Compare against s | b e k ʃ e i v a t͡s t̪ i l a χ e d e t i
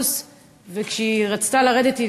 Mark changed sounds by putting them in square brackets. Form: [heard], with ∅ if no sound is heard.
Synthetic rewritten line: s | [v] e k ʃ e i [ʁ] a t͡s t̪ [a] l a [ʁ] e d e t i